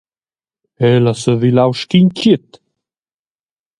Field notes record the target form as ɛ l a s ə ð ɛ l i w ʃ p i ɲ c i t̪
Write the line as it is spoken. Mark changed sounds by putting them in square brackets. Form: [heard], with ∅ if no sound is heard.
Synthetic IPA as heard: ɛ l a s ə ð [i] l [a] w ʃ [k] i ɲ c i t̪